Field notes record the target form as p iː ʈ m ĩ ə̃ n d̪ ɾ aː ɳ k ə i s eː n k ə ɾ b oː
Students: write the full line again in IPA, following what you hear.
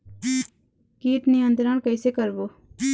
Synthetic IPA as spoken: k iː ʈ n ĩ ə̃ n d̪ ɾ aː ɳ k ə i s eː k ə ɾ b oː

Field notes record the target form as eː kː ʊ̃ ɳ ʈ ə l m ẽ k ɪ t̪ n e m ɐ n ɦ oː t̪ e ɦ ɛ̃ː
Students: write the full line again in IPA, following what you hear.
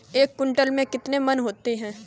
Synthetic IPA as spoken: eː kː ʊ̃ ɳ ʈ ə l m ẽ k ɪ t̪ n e m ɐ n ɦ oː t̪ e ɦ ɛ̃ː

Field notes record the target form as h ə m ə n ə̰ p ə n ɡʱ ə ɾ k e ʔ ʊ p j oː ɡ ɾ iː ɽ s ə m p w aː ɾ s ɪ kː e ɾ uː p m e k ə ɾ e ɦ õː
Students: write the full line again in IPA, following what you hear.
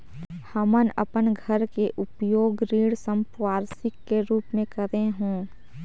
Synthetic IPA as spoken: h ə m ə n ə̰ p ə n ɡʱ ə ɾ k e ʔ ʊ p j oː ɡ ɾ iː ɽ s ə m p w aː ɾ s ɪ kː e ɾ uː p m ẽ k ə ɾ e ɦ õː

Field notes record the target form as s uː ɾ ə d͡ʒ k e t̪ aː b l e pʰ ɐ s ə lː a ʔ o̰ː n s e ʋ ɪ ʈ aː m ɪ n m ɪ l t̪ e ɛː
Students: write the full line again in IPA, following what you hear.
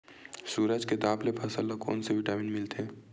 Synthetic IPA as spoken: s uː ɾ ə d͡ʒ k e t̪ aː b l e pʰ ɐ s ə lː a k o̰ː n s e ʋ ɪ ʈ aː m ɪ n m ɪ l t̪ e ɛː

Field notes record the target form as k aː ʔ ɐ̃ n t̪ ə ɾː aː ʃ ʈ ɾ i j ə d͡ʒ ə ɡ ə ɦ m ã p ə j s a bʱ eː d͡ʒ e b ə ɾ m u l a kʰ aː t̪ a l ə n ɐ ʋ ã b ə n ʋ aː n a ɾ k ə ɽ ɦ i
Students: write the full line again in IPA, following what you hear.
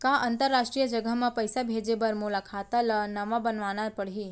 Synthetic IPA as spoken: k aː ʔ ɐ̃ n t̪ ə ɾː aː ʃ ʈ ɾ i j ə d͡ʒ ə ɡ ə ɦ m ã p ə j s a bʱ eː d͡ʒ e b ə ɾ m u l a kʰ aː t̪ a l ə n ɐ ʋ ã b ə n ʋ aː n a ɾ p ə ɽ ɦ i

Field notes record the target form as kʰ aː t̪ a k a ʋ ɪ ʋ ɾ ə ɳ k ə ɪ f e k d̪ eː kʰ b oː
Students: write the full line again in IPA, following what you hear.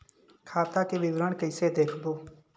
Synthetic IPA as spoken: kʰ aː t̪ a k e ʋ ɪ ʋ ɾ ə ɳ k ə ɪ s e d̪ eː kʰ b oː

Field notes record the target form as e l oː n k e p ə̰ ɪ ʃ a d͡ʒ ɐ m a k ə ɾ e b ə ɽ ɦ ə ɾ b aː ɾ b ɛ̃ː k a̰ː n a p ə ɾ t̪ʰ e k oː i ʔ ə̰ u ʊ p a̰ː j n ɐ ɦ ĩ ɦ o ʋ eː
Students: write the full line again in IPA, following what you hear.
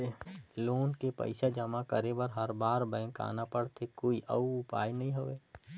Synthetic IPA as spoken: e l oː n k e p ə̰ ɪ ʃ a d͡ʒ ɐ m a k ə ɾ e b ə ɾ ɦ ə ɾ b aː ɾ b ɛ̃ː k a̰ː n a p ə ɽ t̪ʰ e k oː i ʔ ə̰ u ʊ p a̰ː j n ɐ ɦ ĩ ɦ o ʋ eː

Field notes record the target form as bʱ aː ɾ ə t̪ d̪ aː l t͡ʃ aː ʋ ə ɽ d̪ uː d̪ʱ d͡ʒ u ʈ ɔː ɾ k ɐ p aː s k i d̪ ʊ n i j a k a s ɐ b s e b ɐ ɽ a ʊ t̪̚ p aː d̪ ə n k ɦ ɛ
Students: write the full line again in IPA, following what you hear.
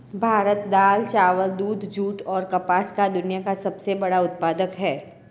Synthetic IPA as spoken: bʱ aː ɾ ə t̪ d̪ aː l t͡ʃ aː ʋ ə l d̪ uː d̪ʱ d͡ʒ uː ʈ ɔː ɾ k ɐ p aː s k a d̪ ʊ n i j a k a s ɐ b s e b ɐ ɽ a ʊ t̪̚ p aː d̪ ə k ɦ ɛː

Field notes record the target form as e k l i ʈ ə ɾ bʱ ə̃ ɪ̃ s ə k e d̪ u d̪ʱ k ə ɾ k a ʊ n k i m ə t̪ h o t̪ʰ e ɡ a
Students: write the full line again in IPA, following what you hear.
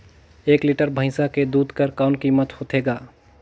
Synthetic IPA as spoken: e k l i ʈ ə ɾ bʱ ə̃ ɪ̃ s a k e d̪ u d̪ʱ k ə ɾ k a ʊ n k i m ə t̪ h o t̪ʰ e ɡ a

